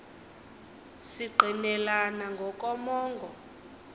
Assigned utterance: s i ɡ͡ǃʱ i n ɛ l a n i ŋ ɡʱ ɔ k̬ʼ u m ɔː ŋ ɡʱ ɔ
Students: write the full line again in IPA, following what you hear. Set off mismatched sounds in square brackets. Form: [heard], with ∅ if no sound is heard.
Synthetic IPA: s i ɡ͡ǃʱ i n ɛ l a n [a] ŋ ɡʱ ɔ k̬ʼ [ɔ] m ɔː ŋ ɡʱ ɔ

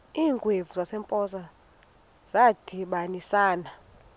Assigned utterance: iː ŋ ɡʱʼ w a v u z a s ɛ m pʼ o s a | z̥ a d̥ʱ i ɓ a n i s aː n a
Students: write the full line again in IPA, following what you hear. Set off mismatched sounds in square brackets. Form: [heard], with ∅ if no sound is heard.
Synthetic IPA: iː ŋ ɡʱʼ w [e] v u z a s ɛ m pʼ [ɔ] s a | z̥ a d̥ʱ i ɓ a n i s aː n a

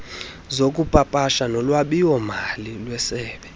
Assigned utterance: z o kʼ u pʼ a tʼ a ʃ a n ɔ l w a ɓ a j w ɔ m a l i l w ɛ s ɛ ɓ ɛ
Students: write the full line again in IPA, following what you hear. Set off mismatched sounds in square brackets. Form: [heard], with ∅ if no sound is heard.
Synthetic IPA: z o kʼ u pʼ a [pʼ] a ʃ a n ɔ l w a ɓ [i] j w ɔ m a l i l w ɛ s [ɛː] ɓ ɛ

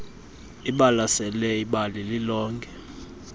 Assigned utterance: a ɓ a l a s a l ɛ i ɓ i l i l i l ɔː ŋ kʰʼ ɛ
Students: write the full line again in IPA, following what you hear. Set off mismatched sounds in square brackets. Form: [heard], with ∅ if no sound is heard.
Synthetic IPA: [i] ɓ a l a s [ɛ] l ɛ i ɓ [a] l i l i l ɔː ŋ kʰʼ ɛ

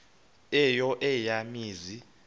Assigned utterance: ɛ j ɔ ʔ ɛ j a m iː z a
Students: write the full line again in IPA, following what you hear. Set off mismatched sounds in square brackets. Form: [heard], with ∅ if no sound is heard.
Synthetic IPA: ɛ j ɔ ʔ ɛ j a m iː z [i]

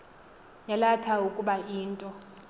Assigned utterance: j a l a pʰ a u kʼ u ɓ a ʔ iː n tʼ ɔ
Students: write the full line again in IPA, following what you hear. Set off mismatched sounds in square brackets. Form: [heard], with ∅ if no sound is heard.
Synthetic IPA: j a l a [tʰ] a u kʼ u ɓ a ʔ iː n tʼ ɔ

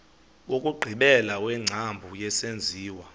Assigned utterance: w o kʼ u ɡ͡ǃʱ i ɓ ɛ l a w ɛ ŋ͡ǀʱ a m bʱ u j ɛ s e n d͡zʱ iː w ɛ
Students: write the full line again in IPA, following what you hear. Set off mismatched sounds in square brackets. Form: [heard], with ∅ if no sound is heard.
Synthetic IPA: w o kʼ u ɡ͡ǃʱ i ɓ ɛ l a w ɛ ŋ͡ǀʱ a m bʱ u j ɛ s e n d͡zʱ iː w [a]

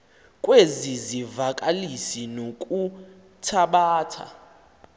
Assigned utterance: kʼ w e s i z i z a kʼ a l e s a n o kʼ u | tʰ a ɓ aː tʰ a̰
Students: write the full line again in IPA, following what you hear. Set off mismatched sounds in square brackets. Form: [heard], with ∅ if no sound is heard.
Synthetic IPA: kʼ w e [z] i z i [v] a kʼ a l [i] s [i] n o kʼ u | tʰ a ɓ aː tʰ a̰

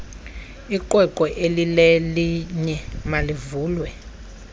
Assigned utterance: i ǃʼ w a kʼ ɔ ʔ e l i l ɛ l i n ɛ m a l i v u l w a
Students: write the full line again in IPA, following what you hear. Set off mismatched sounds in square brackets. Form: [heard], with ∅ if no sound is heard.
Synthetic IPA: i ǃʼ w [ɛ] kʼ ɔ ʔ e l i l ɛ l i [ɲ] ɛ m a l i v [uː] l w [ɛ]

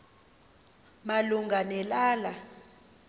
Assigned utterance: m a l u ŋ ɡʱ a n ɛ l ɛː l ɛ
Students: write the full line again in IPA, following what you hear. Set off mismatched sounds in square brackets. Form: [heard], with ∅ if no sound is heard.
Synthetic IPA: m a l u ŋ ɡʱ a n ɛ l [aː] l [a]

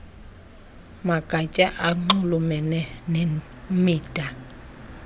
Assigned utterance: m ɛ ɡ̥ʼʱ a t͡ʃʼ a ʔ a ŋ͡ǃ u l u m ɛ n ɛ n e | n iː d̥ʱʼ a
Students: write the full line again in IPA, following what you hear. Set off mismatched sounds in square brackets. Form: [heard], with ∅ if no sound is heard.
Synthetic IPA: m [a] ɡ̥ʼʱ a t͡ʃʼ a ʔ a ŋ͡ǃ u l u m ɛ n ɛ n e | [m] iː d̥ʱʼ a

